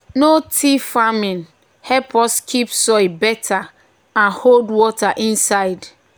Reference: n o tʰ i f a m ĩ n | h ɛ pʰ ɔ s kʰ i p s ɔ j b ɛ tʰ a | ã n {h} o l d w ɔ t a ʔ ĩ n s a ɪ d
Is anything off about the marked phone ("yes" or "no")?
no